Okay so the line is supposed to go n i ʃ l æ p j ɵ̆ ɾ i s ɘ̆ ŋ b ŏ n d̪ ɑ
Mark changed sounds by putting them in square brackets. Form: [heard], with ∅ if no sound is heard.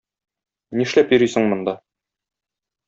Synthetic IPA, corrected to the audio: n i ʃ l æ p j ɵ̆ ɾ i s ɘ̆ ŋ [m] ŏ n d̪ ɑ